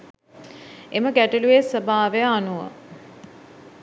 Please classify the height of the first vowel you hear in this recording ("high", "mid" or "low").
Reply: mid